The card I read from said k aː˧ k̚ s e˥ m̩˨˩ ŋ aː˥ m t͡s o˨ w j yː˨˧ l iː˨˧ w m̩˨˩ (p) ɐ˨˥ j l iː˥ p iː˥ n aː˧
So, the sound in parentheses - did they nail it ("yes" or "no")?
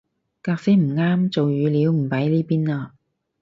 yes